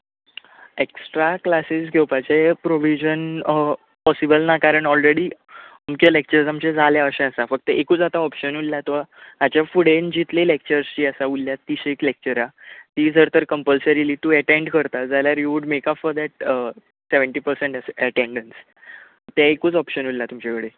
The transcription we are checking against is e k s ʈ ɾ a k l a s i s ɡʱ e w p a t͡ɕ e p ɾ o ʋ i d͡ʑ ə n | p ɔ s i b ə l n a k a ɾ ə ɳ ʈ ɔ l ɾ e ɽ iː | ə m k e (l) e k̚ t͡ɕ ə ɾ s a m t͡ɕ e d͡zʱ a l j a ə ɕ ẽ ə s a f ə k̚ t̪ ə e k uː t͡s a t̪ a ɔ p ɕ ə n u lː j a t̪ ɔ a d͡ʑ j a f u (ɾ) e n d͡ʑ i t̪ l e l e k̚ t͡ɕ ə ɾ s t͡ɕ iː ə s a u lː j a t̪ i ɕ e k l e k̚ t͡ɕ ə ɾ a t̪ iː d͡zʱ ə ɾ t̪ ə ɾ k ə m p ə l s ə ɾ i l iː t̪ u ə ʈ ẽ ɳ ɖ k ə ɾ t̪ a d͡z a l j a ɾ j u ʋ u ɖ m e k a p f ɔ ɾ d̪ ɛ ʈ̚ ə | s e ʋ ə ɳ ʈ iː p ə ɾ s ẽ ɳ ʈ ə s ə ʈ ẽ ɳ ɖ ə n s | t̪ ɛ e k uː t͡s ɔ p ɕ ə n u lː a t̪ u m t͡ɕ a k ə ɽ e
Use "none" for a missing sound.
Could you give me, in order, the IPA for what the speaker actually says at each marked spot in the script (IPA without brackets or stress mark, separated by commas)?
l, ɽ